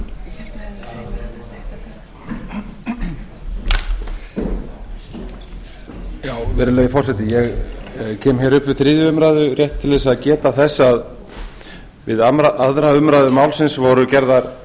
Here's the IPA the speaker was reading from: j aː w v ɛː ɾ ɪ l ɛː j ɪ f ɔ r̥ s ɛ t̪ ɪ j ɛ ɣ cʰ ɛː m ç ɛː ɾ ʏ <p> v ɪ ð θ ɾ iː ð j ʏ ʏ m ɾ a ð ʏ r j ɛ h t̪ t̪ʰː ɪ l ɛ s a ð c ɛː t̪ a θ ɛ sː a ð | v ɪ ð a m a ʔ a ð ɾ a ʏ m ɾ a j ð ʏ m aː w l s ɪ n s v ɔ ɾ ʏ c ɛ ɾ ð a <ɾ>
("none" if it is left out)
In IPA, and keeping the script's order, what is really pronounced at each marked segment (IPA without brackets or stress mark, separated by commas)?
p, ɾ